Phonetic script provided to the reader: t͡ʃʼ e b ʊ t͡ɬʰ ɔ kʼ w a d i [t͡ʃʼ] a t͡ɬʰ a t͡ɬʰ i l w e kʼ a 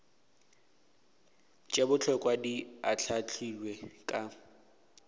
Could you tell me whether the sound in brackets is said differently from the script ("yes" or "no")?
yes